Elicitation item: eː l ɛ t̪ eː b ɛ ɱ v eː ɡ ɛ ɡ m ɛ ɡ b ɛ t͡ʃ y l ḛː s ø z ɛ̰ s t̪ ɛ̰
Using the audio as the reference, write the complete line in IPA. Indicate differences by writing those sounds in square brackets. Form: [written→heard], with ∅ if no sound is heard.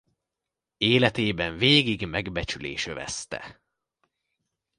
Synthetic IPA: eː l ɛ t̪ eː b ɛ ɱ v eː ɡ [ɛ→i] ɡ m ɛ ɡ b ɛ t͡ʃ y l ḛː [s→ʃ] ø [z→v] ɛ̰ s t̪ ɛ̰